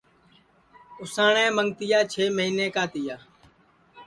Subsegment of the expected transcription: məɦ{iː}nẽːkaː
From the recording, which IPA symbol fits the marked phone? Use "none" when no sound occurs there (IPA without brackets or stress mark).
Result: iː